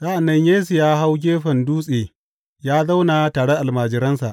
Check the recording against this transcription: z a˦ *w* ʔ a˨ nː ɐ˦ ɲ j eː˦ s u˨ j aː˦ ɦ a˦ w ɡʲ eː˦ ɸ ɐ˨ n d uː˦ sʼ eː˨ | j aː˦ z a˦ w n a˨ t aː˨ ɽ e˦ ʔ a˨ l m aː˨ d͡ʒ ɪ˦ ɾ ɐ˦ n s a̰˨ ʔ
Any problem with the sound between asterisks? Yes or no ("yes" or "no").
yes